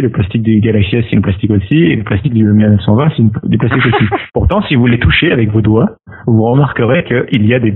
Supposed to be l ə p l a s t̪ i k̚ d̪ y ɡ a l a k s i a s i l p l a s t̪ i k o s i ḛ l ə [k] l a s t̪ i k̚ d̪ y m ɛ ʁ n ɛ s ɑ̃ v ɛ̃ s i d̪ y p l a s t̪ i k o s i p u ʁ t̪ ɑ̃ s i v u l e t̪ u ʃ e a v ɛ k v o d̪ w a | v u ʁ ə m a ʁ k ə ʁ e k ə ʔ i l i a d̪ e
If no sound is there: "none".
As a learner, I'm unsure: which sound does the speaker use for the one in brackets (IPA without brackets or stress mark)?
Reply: p